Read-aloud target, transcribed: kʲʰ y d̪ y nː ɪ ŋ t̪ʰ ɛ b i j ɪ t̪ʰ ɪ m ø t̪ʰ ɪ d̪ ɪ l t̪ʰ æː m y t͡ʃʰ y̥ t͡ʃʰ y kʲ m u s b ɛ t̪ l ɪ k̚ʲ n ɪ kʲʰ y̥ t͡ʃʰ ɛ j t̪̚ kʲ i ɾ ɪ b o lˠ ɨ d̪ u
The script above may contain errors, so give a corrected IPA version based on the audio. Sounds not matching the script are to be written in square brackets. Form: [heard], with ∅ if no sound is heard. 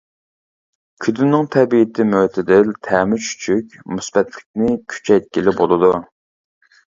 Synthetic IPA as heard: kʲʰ y d̪ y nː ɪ ŋ t̪ʰ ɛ b i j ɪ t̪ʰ ɪ m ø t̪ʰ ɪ d̪ ɪ l t̪ʰ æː m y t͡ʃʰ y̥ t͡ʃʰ y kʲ m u s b ɛ t̪ l ɪ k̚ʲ n ɪ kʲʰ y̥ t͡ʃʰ ɛ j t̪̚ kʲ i [l] ɪ b o lˠ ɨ d̪ u

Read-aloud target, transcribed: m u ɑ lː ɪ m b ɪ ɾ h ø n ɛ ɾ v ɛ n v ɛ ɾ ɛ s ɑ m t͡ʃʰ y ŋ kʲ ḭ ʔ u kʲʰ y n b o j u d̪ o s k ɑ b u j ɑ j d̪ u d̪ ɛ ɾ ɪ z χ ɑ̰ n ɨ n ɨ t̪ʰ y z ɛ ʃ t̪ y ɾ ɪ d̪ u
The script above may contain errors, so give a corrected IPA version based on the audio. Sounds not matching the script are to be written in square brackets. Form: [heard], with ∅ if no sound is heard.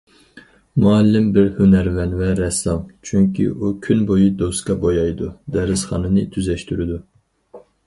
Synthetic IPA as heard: m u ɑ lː ɪ m b ɪ ɾ h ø n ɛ ɾ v ɛ n v ɛ ɾ ɛ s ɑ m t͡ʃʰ y ŋ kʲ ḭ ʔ u kʲʰ y n b o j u d̪ o s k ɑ b [o] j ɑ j d̪ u d̪ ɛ ɾ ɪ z χ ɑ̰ n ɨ n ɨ t̪ʰ y z ɛ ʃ t̪ y ɾ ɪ d̪ u

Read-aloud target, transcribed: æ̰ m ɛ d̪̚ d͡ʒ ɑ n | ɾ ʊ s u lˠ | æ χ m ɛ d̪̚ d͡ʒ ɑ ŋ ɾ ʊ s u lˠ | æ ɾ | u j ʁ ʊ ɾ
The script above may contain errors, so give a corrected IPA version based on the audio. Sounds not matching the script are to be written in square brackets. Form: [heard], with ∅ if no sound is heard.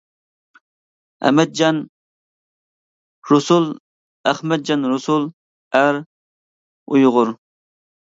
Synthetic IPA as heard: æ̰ m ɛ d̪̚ d͡ʒ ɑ n | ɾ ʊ s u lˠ | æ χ m ɛ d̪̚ d͡ʒ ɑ [n] ɾ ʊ s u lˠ | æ ɾ | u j ʁ ʊ ɾ

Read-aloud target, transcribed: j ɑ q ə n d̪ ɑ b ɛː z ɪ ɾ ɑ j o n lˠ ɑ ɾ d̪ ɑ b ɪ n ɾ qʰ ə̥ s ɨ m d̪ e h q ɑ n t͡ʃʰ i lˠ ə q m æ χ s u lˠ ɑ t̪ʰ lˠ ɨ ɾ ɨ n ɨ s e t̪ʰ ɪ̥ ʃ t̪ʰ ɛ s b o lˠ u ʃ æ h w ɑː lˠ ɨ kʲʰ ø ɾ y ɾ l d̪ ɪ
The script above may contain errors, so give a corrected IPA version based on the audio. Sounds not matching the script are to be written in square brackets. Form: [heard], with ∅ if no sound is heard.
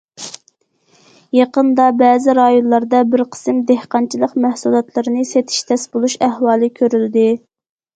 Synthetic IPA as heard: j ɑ q ə n d̪ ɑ b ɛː z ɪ ɾ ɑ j o n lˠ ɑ ɾ d̪ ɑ b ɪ [∅] ɾ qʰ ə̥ s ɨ m d̪ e h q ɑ n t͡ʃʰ i lˠ ə q m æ [h] s u lˠ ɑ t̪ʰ lˠ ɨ ɾ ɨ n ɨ s e t̪ʰ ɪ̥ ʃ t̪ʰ ɛ s b o lˠ u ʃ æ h w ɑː lˠ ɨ kʲʰ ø ɾ y [∅] l d̪ ɪ

